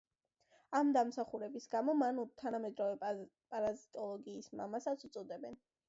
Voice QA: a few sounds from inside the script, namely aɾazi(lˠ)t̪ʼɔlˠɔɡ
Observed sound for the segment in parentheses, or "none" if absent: none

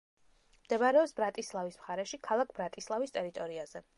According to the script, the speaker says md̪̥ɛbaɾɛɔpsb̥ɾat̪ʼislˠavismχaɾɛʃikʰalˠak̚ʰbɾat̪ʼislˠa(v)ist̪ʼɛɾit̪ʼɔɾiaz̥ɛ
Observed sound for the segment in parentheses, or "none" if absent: v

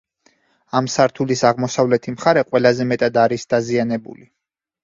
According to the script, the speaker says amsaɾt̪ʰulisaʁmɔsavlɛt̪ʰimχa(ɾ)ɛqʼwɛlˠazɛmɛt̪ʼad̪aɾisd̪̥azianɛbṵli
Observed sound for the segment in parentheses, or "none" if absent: ɾ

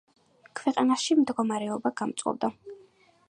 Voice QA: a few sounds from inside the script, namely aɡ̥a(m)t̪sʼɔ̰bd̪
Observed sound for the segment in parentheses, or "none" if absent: m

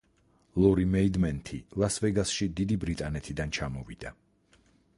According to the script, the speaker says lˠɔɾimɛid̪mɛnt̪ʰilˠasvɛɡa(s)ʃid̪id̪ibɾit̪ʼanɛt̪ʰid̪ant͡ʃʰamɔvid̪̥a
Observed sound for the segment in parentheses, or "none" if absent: s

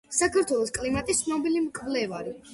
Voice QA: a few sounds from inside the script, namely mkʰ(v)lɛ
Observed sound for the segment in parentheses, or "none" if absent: v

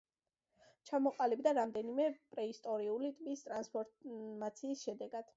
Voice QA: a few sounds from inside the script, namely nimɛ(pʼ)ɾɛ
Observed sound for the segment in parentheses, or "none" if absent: pʼ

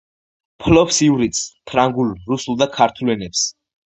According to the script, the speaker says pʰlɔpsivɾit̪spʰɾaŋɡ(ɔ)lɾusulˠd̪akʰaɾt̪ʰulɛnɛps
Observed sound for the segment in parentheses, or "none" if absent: u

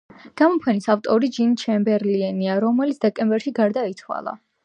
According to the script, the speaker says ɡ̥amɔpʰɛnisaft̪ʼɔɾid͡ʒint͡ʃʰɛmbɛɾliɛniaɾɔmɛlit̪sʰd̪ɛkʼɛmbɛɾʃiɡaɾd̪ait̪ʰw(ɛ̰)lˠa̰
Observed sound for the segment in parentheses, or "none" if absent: a̰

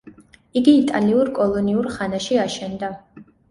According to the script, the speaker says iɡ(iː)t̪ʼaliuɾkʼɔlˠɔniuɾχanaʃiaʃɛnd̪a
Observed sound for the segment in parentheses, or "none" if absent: iː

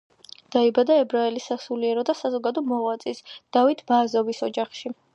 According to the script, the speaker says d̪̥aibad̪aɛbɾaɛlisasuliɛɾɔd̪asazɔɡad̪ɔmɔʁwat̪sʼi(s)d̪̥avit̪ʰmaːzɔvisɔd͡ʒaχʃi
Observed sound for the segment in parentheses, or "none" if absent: s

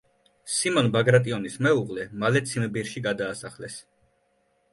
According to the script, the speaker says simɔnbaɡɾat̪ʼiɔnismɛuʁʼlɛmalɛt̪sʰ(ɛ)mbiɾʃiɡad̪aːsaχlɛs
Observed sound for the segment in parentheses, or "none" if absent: i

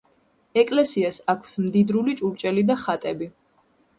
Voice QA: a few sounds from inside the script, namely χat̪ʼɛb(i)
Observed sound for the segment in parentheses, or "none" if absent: i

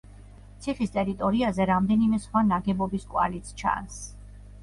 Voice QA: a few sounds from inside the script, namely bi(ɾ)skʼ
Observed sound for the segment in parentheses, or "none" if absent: none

